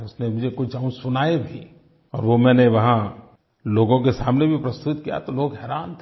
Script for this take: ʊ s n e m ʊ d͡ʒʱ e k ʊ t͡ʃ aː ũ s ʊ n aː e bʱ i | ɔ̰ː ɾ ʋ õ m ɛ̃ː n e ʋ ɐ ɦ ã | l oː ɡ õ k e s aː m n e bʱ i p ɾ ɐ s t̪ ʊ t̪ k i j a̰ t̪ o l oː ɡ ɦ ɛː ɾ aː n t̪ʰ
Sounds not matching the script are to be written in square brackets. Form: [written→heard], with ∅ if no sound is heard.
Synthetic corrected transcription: ʊ s n e m ʊ d͡ʒʱ e k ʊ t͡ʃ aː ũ s ʊ n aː e bʱ i | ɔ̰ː ɾ ʋ [õ→o] m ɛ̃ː n e ʋ ɐ ɦ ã | l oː ɡ õ k e s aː m n e bʱ i p ɾ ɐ s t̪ ʊ t̪ k i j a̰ t̪ o l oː ɡ ɦ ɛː ɾ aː n t̪ʰ